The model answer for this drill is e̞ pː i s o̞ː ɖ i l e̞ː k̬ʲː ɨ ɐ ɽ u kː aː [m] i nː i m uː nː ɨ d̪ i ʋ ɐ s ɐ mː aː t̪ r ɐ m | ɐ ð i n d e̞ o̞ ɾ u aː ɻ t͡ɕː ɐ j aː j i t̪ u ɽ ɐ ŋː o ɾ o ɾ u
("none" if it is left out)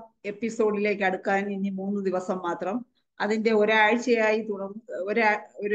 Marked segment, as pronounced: n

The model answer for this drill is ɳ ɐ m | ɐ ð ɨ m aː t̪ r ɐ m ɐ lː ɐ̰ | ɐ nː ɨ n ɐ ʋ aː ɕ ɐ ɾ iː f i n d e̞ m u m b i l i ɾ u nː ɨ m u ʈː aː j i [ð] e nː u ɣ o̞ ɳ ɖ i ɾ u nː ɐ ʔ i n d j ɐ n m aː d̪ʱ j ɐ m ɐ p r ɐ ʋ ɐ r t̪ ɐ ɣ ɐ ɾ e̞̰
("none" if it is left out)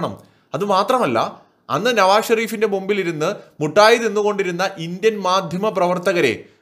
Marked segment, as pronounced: ð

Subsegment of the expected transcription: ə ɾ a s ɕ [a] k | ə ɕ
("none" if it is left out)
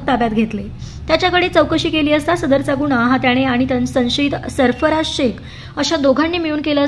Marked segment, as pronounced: e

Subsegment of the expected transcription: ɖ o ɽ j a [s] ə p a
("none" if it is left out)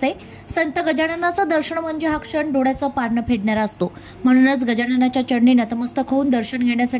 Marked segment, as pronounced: t͡s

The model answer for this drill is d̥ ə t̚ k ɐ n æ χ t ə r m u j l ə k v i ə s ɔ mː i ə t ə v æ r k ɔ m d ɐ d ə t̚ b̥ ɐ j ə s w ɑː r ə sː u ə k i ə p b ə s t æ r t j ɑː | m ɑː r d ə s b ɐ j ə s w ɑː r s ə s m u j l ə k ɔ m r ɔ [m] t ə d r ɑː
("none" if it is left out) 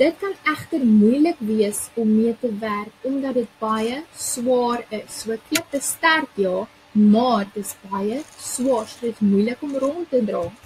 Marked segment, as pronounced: n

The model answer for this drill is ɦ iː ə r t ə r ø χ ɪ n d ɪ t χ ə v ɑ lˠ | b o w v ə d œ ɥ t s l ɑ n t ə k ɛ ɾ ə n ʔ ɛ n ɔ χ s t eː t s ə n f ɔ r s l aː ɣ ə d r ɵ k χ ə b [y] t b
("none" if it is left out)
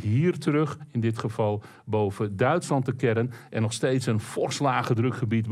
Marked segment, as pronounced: i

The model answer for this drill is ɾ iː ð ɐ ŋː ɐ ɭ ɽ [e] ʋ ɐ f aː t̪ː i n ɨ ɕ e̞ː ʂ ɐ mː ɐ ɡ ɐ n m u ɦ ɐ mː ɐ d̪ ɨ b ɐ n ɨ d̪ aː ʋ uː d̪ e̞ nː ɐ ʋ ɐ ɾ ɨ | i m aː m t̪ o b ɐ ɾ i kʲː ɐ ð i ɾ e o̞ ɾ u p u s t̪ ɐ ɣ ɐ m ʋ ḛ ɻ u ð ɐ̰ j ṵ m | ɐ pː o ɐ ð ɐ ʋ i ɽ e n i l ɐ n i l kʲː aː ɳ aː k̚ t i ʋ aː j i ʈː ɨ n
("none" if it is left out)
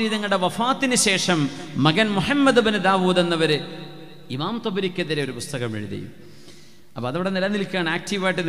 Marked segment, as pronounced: e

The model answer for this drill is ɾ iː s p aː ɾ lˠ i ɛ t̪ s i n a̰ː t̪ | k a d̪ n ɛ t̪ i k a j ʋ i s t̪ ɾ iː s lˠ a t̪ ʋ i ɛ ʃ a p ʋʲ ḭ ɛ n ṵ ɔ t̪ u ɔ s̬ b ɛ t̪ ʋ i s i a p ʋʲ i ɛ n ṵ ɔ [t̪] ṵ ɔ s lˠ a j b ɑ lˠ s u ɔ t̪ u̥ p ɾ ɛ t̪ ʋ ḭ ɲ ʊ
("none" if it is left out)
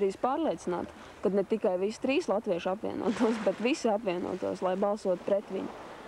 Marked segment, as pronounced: t̪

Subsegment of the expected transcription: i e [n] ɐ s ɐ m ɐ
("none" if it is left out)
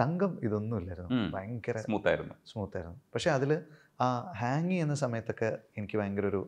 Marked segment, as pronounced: nː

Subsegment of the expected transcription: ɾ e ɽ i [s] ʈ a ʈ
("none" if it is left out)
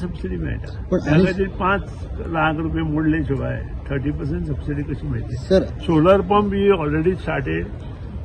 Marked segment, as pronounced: s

